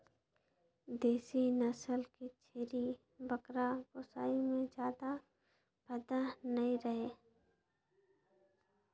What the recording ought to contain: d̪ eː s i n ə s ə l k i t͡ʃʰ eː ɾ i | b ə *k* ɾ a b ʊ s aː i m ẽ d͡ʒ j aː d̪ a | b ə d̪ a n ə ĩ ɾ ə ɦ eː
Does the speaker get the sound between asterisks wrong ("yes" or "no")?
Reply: no